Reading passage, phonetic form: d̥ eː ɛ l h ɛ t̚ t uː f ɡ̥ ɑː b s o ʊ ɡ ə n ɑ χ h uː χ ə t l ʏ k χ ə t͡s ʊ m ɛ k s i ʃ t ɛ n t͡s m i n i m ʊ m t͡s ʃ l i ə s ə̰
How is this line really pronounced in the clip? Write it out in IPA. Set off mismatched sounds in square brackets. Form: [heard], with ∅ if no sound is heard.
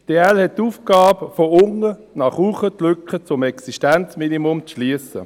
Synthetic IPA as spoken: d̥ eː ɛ l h ɛ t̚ t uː f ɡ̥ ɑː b [f] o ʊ [ŋ] ə n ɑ χ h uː χ ə t l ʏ k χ ə t͡s ʊ m ɛ k s i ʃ t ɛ n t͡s m i n i m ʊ m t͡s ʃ l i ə s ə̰